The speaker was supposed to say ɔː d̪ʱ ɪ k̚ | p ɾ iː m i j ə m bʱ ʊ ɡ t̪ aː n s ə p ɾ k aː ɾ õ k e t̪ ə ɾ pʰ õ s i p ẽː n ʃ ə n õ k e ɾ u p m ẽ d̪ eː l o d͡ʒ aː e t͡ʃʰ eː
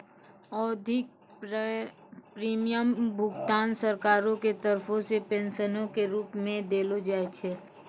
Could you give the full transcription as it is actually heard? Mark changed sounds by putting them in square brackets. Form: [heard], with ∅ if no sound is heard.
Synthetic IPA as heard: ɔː d̪ʱ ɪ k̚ | p ɾ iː m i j ə m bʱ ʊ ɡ t̪ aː n s ə [∅] ɾ k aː ɾ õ k e t̪ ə ɾ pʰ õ s [e] p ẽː n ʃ ə n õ k e ɾ [uː] p m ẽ d̪ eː l o d͡ʒ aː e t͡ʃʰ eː